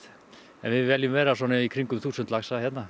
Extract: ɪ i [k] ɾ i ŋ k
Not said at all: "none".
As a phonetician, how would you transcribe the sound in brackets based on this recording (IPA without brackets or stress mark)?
kʰ